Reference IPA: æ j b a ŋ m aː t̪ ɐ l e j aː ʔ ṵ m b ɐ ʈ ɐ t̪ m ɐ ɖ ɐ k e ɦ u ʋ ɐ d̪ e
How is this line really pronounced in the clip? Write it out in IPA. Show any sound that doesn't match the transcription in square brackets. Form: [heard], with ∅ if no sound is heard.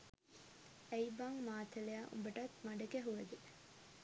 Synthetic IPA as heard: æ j b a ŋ m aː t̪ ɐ l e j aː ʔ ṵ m b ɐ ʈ ɐ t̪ m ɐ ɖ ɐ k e ɦ u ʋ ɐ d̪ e